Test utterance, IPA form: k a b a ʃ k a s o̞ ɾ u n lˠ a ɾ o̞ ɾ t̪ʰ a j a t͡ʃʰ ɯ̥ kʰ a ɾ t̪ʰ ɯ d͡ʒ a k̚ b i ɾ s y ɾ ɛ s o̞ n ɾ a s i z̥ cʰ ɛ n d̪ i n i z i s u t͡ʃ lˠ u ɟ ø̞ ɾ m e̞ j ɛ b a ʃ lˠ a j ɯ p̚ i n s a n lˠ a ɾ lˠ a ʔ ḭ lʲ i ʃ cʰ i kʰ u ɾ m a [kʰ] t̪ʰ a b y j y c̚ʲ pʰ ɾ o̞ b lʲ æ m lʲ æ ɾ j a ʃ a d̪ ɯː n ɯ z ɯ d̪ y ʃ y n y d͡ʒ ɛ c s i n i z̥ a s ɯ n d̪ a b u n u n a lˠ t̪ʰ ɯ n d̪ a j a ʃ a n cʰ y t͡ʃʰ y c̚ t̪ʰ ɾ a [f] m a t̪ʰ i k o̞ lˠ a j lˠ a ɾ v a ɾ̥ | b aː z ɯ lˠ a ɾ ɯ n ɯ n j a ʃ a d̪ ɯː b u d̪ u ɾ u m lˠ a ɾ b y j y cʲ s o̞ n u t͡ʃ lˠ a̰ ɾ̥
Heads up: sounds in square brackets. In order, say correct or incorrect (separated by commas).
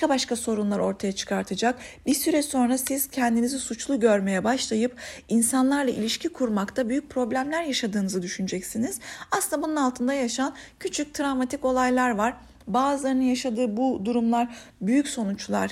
incorrect, incorrect